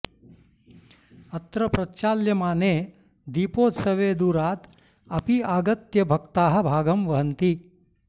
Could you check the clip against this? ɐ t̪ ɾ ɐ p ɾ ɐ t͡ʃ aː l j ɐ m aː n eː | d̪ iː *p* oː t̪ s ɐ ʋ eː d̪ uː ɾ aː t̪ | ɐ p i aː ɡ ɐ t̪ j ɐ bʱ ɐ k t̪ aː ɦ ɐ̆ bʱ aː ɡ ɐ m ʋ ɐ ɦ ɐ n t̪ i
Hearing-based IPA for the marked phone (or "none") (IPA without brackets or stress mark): p